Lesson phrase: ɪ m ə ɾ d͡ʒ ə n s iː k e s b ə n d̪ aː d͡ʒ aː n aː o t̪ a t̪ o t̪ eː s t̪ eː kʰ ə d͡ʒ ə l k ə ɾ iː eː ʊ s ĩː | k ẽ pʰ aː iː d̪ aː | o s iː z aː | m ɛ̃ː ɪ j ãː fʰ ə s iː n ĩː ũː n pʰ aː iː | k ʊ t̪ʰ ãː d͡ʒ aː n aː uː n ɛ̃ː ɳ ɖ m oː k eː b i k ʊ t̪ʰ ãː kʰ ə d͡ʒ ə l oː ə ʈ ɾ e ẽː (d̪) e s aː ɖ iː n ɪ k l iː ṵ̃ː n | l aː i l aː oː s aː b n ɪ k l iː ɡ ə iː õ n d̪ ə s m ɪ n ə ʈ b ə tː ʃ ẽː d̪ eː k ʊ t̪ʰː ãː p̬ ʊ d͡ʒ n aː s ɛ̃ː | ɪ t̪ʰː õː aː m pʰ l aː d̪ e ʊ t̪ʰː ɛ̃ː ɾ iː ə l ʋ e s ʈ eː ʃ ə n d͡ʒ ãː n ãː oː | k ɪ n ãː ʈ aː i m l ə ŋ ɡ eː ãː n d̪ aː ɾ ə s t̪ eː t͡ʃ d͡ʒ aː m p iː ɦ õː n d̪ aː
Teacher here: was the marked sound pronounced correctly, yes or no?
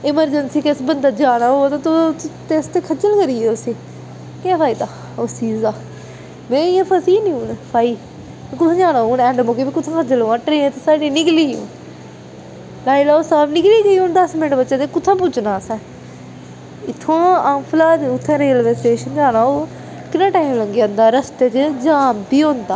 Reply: no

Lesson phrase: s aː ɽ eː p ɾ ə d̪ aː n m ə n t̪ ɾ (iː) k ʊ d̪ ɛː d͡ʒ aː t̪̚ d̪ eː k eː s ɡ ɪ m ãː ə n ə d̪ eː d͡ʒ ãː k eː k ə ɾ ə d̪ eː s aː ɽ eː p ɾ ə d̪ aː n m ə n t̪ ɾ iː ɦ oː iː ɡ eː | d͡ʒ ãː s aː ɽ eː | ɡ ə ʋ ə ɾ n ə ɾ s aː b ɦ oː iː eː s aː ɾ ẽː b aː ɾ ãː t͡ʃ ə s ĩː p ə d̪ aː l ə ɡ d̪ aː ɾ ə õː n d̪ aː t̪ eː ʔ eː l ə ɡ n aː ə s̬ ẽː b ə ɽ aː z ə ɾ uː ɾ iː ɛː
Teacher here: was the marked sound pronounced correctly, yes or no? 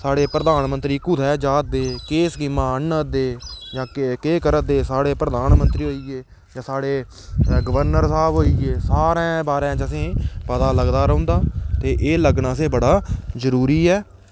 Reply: yes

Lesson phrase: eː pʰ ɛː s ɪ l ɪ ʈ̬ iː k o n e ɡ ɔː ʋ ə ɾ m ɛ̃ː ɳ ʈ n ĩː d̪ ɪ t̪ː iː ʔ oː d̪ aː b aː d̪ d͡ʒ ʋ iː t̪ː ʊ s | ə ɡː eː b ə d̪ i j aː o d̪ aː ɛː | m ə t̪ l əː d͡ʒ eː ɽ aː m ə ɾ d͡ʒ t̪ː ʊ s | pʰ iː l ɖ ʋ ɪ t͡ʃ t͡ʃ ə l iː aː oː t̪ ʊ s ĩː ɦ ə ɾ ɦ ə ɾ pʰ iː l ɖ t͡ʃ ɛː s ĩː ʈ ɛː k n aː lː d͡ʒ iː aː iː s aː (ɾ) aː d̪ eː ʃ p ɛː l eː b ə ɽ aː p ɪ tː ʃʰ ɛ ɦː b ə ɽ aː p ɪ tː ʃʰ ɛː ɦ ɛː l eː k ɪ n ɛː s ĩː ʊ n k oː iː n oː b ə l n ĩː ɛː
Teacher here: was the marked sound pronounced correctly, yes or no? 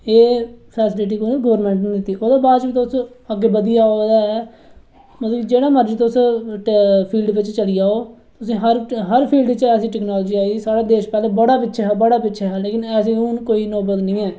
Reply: no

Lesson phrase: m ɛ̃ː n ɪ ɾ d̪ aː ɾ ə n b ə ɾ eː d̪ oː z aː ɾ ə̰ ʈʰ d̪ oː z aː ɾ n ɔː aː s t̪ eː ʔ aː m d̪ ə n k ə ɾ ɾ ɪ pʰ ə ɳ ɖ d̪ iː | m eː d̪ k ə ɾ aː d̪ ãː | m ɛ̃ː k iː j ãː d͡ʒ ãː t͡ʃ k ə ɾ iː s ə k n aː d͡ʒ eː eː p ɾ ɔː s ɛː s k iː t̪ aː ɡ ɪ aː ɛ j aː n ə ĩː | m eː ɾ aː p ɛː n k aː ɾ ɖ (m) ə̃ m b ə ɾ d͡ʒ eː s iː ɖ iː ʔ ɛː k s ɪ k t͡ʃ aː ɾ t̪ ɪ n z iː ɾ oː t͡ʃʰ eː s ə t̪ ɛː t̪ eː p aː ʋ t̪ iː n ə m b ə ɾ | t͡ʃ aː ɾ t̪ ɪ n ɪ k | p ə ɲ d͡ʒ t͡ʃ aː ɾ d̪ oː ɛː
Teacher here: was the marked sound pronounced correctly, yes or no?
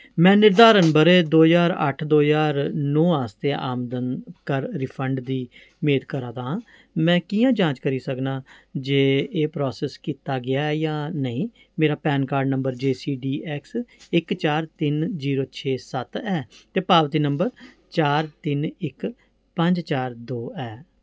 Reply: no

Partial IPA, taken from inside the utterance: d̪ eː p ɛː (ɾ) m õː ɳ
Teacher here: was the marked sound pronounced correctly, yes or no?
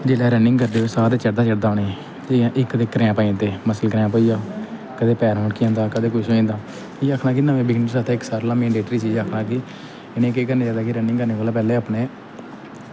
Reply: yes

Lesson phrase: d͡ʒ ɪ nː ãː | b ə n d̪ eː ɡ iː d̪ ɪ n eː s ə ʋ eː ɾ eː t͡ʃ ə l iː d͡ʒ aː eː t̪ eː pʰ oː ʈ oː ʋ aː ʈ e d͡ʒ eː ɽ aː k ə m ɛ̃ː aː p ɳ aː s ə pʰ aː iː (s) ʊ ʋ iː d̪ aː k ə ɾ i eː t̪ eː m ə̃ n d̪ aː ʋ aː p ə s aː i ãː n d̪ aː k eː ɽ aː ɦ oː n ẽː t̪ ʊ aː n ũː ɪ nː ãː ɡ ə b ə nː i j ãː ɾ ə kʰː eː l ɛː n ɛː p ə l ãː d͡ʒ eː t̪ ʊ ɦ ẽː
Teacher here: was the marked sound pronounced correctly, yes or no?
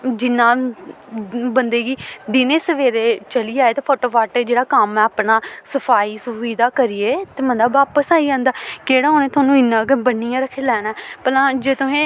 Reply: yes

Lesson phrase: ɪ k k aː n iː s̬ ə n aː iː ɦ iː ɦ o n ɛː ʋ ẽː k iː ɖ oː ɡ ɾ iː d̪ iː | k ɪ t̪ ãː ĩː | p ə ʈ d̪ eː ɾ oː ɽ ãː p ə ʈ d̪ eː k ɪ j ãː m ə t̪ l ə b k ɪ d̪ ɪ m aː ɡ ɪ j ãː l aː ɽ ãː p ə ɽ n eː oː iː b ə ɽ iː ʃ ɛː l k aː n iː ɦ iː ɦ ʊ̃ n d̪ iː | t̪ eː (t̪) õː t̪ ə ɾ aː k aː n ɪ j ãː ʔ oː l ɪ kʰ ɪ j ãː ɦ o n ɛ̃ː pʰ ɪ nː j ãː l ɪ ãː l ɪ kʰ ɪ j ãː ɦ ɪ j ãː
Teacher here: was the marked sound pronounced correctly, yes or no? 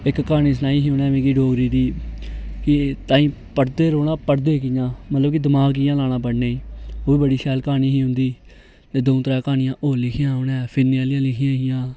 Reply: no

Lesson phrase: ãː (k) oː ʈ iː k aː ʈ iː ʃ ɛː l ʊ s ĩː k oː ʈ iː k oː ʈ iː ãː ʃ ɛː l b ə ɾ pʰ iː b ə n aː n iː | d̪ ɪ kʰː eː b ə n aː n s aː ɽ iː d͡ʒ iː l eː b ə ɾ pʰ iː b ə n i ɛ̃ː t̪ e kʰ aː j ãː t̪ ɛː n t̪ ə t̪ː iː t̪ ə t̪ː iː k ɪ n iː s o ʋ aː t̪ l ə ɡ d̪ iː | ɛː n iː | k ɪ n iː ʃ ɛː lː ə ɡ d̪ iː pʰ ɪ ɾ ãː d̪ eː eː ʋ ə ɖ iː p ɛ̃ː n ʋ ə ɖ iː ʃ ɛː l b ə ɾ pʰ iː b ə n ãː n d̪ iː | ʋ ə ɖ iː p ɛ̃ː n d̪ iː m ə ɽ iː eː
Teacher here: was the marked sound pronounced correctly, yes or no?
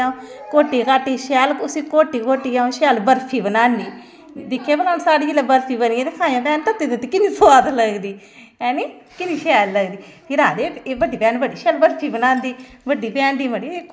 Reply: yes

